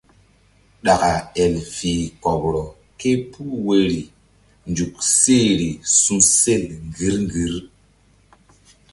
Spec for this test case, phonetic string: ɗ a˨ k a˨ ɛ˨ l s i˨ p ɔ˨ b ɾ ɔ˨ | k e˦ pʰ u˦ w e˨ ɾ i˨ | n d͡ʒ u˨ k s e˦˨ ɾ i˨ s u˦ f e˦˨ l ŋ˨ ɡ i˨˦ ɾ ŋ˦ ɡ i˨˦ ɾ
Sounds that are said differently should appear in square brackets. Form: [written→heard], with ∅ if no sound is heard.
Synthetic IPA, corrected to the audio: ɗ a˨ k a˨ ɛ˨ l [s→f] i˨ [p→k] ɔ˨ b ɾ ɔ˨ | k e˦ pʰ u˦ w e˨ ɾ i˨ | n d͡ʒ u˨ k s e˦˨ ɾ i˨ s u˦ [f→s] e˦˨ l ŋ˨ ɡ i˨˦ ɾ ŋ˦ ɡ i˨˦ ɾ